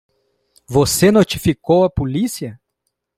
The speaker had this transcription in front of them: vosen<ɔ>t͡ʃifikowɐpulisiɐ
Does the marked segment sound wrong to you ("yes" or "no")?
yes